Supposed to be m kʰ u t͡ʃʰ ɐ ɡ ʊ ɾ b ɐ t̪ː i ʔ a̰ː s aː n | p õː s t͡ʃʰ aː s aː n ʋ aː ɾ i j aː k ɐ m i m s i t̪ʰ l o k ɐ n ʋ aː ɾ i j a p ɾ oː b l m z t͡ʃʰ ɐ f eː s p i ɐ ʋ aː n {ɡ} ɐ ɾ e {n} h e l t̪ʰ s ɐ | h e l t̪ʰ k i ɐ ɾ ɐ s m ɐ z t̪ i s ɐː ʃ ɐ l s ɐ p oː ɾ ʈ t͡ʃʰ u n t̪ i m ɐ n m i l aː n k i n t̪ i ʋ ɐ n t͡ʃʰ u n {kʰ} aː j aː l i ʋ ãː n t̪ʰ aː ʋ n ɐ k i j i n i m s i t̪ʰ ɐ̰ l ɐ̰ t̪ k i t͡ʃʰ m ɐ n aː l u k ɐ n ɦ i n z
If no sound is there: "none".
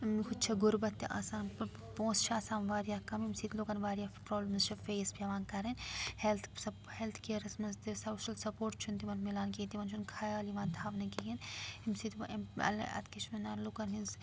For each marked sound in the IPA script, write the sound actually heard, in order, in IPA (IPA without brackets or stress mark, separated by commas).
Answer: k, n, kʰ